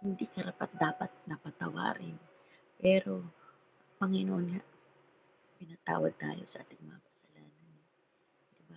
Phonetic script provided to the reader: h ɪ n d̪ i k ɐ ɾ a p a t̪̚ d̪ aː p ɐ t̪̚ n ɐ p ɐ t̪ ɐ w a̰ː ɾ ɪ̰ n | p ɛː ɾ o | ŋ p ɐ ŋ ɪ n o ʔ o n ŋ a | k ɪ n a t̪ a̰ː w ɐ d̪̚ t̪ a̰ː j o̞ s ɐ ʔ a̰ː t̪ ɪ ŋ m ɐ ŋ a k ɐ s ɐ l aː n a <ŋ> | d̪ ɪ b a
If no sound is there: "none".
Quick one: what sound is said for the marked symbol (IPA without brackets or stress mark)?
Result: n